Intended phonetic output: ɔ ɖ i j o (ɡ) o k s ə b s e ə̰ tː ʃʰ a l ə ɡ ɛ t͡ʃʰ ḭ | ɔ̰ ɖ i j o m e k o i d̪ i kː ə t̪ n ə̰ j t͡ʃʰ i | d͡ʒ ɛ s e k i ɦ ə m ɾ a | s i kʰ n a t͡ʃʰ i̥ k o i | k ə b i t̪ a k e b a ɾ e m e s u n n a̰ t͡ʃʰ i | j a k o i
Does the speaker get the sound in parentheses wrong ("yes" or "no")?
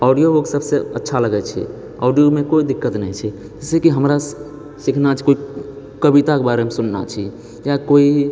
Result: yes